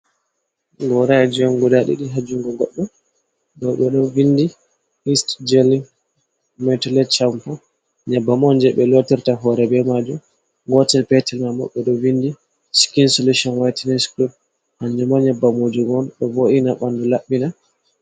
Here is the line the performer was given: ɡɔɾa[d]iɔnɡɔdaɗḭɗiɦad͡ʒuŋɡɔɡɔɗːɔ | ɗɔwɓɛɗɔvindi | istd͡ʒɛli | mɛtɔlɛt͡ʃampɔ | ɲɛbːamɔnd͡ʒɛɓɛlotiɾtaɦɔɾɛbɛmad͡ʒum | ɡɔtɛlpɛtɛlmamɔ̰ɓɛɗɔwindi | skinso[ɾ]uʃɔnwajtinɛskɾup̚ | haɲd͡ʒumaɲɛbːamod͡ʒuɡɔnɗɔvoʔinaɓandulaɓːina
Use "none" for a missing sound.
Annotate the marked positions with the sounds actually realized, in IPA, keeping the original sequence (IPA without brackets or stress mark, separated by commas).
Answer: d͡ʒ, l